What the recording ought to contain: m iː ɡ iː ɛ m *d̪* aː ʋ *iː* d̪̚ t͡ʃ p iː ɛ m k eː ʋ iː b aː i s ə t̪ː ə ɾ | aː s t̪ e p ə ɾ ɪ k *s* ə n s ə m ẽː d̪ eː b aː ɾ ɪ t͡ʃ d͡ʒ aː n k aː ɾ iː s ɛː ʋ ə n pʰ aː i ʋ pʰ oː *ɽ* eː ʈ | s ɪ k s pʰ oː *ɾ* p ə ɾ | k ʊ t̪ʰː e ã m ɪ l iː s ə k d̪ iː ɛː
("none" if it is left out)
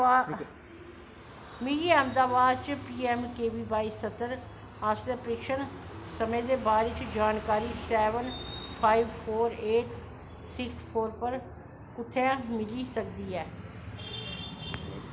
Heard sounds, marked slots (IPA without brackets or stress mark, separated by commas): d̪, aː, ʃ, ɾ, ɾ